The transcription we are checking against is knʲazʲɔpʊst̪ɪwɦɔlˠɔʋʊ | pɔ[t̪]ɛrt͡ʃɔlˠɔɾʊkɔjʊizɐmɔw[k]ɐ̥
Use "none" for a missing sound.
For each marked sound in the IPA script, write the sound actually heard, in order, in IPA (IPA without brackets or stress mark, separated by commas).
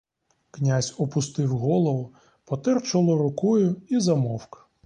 t̪, k